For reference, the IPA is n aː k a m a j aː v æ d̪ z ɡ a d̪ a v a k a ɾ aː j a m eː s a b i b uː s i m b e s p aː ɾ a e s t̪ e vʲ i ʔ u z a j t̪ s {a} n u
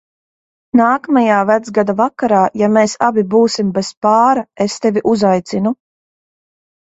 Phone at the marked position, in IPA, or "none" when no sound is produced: i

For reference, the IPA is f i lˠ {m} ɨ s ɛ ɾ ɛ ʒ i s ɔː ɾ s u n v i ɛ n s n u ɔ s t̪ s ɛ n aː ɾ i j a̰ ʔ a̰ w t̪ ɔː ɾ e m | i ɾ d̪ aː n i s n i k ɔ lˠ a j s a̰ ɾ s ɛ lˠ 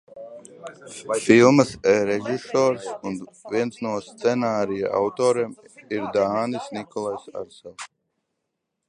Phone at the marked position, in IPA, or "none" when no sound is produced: m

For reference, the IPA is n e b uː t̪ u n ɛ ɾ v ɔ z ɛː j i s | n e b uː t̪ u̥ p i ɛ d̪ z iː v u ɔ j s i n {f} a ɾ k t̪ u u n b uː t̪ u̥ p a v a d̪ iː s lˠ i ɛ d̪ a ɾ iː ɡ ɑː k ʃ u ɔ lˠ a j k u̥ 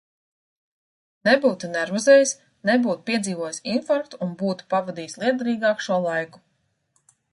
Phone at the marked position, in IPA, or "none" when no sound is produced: f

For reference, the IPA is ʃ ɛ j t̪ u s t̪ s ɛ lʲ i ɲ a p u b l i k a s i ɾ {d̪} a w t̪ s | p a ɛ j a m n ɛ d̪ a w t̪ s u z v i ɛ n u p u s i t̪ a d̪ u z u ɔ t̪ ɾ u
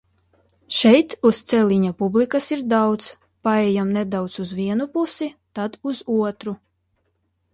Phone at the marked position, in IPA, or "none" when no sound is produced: d̪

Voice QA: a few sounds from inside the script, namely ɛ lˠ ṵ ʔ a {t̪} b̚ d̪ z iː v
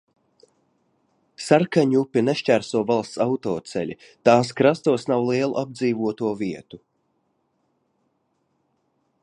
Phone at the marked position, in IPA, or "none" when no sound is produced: none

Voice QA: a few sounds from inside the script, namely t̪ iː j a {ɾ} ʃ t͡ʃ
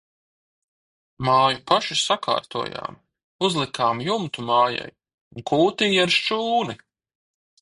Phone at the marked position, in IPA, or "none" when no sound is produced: ɾ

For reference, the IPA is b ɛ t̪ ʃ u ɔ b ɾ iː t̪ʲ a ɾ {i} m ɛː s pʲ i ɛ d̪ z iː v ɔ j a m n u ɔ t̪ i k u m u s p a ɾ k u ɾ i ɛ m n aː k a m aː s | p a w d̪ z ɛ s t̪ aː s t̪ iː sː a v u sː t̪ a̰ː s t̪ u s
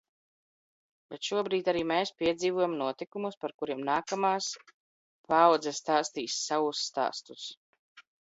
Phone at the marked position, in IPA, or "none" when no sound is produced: iː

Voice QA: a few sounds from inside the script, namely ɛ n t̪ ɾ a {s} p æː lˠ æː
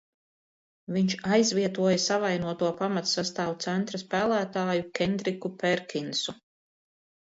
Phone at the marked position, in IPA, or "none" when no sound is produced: s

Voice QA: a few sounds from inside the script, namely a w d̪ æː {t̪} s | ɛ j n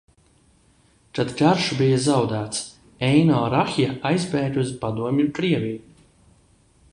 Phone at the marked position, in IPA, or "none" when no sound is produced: t̪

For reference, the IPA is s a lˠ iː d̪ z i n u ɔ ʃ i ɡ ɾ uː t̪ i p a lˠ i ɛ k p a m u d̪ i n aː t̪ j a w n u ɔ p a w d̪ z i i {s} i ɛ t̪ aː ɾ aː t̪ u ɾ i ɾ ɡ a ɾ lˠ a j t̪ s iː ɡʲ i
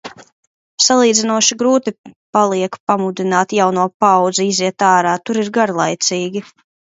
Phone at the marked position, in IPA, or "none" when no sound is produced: z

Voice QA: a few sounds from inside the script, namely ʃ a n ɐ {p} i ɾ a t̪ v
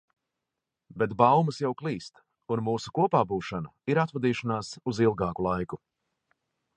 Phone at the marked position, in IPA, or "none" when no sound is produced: none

